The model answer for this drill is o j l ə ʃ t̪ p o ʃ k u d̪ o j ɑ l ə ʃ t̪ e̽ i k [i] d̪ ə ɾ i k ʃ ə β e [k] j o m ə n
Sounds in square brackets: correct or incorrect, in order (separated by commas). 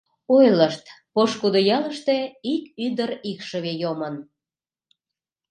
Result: incorrect, incorrect